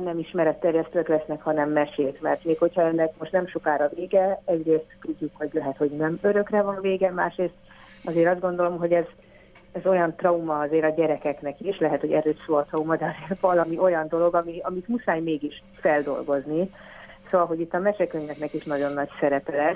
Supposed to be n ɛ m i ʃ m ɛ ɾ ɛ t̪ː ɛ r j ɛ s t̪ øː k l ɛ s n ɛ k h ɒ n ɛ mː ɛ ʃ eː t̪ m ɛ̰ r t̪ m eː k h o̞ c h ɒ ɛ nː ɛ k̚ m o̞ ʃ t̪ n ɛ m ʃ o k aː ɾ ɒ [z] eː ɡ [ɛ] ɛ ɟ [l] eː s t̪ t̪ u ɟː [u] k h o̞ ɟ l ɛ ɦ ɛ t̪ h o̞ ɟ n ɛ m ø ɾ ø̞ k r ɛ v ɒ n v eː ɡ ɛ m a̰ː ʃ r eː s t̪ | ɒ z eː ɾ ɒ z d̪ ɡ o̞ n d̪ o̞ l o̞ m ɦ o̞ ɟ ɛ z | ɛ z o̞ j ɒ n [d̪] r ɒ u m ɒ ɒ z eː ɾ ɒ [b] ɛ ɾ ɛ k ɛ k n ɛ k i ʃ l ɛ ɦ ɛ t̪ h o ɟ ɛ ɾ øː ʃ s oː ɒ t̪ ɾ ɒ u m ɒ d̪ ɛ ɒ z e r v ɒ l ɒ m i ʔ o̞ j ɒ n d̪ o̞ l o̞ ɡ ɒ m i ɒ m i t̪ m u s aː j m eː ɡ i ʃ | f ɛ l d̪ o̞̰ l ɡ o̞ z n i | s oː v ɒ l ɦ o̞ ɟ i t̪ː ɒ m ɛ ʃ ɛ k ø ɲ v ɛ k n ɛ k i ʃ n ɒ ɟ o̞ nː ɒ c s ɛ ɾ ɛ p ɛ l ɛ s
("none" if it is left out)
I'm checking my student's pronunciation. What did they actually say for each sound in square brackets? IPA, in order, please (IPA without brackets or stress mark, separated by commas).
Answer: v, ɛ, r, u, t̪, ɟ